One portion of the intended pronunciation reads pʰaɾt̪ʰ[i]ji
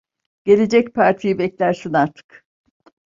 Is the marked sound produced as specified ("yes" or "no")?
yes